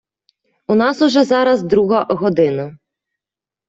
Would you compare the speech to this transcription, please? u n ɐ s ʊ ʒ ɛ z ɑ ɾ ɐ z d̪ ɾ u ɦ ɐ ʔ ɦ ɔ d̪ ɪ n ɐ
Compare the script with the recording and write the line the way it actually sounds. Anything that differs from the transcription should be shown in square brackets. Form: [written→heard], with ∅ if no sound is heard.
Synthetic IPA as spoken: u n [ɐ→ɑ] s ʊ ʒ ɛ z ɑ ɾ ɐ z d̪ ɾ u ɦ ɐ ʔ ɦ ɔ d̪ ɪ n ɐ